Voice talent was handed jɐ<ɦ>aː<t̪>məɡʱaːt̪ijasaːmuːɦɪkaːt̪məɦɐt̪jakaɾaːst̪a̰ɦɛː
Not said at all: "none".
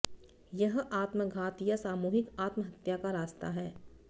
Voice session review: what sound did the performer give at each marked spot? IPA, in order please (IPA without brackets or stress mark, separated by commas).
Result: ɦ, t̪